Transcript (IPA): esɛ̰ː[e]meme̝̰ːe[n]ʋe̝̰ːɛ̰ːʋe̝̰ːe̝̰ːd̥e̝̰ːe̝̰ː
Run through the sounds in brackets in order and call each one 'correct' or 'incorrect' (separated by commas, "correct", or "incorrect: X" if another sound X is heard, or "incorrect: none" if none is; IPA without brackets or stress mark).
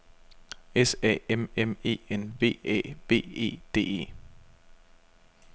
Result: correct, correct